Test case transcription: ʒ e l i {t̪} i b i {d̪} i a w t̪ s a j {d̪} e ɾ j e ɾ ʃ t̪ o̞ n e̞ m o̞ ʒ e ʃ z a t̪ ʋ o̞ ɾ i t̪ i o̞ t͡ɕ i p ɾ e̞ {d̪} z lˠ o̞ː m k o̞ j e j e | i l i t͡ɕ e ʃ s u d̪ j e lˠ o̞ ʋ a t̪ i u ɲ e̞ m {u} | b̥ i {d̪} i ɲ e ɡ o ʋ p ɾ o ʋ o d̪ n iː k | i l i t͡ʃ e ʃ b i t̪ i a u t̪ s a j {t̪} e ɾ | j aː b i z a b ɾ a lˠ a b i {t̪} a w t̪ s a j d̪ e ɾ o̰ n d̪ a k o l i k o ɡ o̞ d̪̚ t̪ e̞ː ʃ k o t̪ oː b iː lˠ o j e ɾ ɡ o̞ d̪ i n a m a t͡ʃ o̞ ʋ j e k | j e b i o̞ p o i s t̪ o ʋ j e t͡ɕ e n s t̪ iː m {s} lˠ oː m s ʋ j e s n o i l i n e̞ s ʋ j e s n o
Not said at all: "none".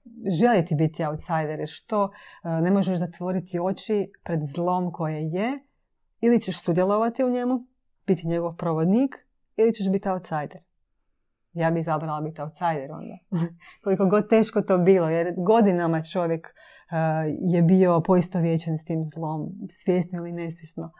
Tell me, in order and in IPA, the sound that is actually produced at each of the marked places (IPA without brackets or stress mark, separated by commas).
t̪, t̪, d̪, d̪, u, t̪, d̪, t̪, z